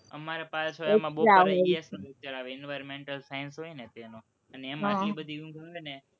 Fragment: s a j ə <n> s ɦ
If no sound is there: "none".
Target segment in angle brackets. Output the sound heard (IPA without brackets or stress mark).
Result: n